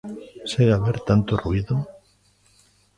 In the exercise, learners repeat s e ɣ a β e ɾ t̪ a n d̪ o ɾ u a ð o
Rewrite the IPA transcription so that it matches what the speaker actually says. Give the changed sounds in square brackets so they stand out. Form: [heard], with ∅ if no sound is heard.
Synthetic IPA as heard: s e ɣ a β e ɾ t̪ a n [t̪] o [r] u [i] ð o